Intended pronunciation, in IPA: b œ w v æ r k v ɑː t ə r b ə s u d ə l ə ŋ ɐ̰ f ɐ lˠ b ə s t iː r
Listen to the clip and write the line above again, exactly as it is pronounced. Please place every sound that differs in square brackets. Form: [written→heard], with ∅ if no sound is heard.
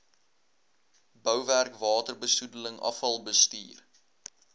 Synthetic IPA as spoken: b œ w v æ r k v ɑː t ə r b ə s u d ə l ə ŋ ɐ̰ f ɐ lˠ b ə s t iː r